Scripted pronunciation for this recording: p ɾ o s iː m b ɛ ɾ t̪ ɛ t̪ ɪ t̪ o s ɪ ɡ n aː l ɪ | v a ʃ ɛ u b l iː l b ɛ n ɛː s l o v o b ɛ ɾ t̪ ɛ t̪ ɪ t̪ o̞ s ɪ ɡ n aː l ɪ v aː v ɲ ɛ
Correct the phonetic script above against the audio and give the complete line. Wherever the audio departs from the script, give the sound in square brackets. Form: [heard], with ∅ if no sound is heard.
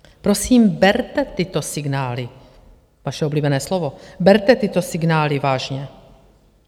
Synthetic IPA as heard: p ɾ o s iː m b ɛ ɾ t̪ ɛ t̪ ɪ t̪ o s ɪ ɡ n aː l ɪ | v a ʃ ɛ [o] b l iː [∅] b ɛ n ɛː s l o v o b ɛ ɾ t̪ ɛ t̪ ɪ t̪ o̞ s ɪ ɡ n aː l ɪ v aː [ʒ] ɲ ɛ